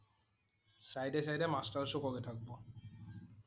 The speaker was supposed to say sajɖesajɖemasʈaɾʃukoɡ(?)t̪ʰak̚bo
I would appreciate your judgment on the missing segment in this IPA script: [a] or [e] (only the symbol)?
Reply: e